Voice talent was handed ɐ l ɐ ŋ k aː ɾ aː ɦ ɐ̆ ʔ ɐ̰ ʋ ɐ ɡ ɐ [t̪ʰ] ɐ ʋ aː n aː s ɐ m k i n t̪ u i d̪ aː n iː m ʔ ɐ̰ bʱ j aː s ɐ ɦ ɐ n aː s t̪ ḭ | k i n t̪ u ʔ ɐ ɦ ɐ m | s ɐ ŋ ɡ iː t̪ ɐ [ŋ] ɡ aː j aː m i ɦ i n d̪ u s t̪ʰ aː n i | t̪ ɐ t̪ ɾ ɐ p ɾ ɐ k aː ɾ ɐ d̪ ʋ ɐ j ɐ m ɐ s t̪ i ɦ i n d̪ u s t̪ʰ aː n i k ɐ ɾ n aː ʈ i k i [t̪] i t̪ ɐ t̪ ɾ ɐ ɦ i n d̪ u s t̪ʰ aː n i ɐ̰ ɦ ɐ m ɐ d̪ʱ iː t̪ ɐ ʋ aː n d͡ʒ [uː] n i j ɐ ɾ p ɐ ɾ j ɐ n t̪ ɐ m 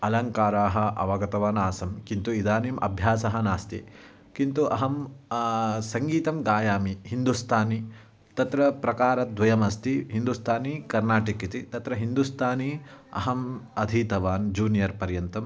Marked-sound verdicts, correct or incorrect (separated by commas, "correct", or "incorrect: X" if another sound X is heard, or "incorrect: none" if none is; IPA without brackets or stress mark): incorrect: t̪, incorrect: m, correct, correct